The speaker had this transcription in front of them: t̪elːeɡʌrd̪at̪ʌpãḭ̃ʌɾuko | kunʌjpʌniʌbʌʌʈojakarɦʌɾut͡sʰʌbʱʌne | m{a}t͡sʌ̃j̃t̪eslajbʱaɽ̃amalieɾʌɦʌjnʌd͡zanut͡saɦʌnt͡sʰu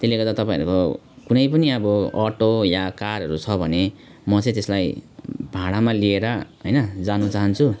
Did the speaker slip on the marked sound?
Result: yes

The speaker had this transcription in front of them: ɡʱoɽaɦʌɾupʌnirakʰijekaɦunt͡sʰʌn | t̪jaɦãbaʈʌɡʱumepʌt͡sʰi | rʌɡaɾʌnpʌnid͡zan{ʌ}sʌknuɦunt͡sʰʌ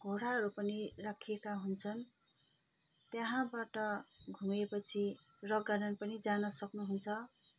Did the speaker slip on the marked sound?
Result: no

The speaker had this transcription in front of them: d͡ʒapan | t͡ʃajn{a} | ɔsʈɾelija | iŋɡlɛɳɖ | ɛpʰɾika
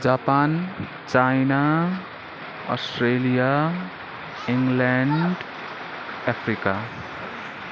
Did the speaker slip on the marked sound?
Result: no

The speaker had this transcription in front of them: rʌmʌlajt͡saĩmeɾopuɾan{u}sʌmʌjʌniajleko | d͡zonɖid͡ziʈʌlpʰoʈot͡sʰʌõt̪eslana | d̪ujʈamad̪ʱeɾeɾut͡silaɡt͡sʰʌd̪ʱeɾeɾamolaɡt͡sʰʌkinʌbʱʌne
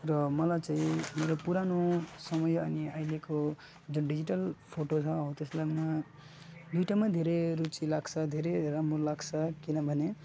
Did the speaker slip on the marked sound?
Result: yes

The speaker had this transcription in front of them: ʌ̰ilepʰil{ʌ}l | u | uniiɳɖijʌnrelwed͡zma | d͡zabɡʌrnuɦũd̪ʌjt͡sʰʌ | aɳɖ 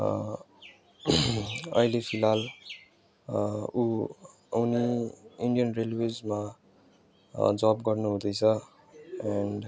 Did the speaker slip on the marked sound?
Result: yes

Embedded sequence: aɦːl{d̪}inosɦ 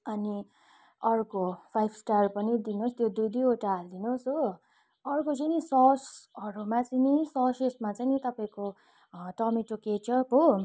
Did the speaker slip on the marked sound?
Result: no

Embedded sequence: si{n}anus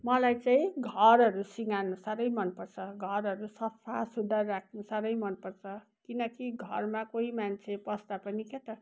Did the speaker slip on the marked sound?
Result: yes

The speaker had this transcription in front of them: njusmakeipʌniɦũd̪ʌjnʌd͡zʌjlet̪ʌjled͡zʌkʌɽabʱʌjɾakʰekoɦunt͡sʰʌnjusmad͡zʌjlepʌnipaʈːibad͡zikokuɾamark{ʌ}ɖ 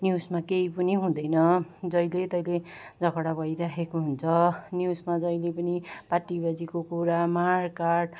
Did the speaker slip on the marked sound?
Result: yes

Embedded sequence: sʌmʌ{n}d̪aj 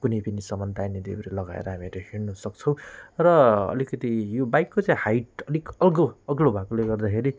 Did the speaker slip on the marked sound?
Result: no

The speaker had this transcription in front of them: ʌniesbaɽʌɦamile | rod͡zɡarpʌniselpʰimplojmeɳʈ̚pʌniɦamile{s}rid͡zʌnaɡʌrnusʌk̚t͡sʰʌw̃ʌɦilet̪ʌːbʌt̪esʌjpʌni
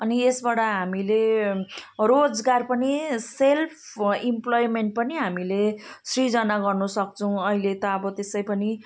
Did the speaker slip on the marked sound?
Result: no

